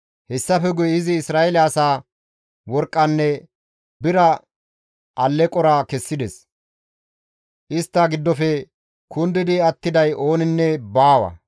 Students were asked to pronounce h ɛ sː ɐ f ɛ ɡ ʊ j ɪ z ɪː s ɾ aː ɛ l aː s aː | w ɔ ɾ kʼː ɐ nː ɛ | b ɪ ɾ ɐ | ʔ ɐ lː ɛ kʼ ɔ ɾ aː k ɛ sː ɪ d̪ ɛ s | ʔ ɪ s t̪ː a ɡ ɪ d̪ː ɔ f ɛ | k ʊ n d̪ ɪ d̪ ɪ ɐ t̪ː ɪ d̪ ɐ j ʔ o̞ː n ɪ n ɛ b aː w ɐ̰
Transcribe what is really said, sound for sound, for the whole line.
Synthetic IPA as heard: h ɛ sː ɐ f ɛ ɡ ʊ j ɪ z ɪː s ɾ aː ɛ l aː s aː | w ɔ ɾ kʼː ɐ nː ɛ | b ɪ ɾ ɐ | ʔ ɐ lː ɛ kʼ ɔ ɾ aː k ɛ sː ɪ d̪ ɛ s | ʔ ɪ s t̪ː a ɡ ɪ d̪ː ɔ f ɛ | k ʊ n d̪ ɪ d̪ ɪ ɐ t̪ː ɪ d̪ ɐ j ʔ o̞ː n ɪ nː ɛ b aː w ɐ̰

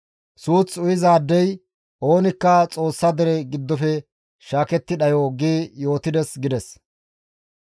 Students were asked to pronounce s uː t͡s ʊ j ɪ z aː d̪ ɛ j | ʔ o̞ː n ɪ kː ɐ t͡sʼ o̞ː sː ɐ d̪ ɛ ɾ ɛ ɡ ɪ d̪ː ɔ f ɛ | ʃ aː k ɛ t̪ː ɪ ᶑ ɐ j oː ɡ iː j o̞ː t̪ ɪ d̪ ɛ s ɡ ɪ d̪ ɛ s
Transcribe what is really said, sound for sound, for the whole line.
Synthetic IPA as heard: s uː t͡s ʊ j ɪ z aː d̪ː ɛ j | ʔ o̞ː n ɪ kː ɐ t͡sʼ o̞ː sː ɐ d̪ ɛ ɾ ɛ ɡ ɪ d̪ː ɔ f ɛ | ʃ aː k ɛ t̪ː ɪ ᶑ ɐ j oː ɡ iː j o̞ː t̪ ɪ d̪ ɛ s ɡ ɪ d̪ ɛ s

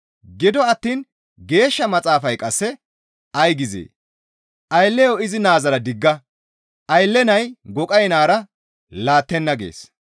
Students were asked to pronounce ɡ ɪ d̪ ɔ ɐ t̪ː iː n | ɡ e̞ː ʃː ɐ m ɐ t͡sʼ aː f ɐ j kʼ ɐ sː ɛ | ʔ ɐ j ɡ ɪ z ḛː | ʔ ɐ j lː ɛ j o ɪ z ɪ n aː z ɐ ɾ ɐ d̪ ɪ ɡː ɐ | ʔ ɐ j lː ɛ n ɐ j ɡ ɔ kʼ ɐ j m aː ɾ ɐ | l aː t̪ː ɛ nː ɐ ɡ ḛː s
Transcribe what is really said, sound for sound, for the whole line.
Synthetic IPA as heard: ɡ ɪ d̪ ɔ ɐ t̪ː iː n | ɡ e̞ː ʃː ɐ m ɐ t͡sʼ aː f ɐ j kʼ ɐ sː ɛ | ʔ ɐ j ɡ ɪ z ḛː | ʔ ɐ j lː ɛ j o ɪ z ɪ n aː z ɐ ɾ ɐ d̪ ɪ ɡː ɐ | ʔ ɐ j lː ɛ n ɐ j ɡ ɔ kʼ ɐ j n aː ɾ ɐ | l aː t̪ː ɛ nː ɐ ɡ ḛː s

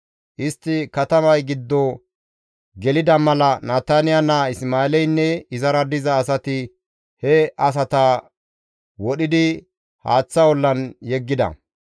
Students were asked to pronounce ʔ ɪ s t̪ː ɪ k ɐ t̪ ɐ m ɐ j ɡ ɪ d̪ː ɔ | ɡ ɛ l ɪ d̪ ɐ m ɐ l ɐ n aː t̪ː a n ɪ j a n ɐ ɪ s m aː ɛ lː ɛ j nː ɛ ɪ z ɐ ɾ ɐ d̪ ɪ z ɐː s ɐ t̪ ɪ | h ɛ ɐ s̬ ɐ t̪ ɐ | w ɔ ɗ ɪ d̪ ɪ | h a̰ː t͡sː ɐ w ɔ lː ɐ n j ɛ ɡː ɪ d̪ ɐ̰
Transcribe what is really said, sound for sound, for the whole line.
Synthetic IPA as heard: ʔ ɪ s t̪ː ɪ k ɐ t̪ ɐ m ɐ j ɡ ɪ d̪ː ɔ | ɡ ɛ l ɪ d̪ ɐ m ɐ l ɐ n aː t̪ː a n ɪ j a n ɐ ɪ s m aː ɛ l ɛ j nː ɛ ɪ z ɐ ɾ ɐ d̪ ɪ z ɐː s ɐ t̪ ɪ | h ɛ ɐ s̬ ɐ t̪ ɐ | w ɔ ɗ ɪ d̪ ɪ | h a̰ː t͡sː ɐ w ɔ lː ɐ n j ɛ ɡː ɪ d̪ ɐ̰

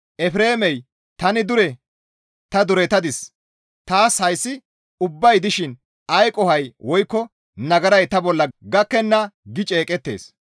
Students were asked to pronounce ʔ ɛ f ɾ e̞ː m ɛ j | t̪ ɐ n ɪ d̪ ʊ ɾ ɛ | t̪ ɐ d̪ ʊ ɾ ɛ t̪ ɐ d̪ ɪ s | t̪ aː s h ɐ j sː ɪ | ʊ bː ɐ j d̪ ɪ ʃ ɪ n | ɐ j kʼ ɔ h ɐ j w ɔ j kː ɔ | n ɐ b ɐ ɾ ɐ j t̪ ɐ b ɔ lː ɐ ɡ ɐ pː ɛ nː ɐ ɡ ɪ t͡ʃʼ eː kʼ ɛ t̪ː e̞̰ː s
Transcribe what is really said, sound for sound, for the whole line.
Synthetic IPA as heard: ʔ ɛ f ɾ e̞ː m ɛ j | t̪ ɐ n ɪ d̪ ʊ ɾ ɛ | t̪ ɐ d̪ ʊ ɾ ɛ t̪ ɐ d̪ ɪ s | t̪ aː s h ɐ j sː ɪ | ʊ bː ɐ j d̪ ɪ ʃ ɪ n | ɐ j kʼ ɔ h ɐ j w ɔ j kː ɔ | n ɐ ɡ ɐ ɾ ɐ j t̪ ɐ b ɔ lː ɐ ɡ ɐ kː ɛ nː ɐ ɡ ɪ t͡ʃʼ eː kʼ ɛ t̪ː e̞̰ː s

